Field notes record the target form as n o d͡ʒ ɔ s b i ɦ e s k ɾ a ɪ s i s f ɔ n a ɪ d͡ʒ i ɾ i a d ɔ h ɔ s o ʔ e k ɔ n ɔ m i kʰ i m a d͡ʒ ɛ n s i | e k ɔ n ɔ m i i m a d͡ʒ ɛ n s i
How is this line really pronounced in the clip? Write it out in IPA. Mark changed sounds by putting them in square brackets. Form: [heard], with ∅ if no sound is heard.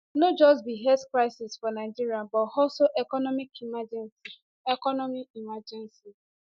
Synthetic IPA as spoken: n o d͡ʒ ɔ s b i ɦ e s k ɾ a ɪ s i s f ɔ n a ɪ d͡ʒ i ɾ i a [b] ɔ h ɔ s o ʔ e k ɔ n ɔ m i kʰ i m a d͡ʒ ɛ n s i | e k ɔ n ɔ m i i m a d͡ʒ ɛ n s i